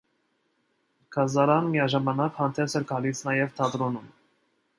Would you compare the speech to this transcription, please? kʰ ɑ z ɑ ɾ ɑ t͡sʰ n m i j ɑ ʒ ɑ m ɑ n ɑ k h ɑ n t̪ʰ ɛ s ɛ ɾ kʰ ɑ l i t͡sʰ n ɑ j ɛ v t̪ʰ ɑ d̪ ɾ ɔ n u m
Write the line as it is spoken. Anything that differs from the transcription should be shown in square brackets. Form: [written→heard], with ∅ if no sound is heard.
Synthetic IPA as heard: kʰ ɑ z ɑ ɾ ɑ [t͡sʰ→∅] n m i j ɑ ʒ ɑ m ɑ n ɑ k h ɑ n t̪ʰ ɛ s ɛ ɾ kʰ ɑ l i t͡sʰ n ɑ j ɛ v t̪ʰ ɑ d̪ ɾ ɔ n u m